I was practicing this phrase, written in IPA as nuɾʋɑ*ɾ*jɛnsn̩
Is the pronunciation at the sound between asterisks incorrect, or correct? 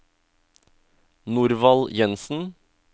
incorrect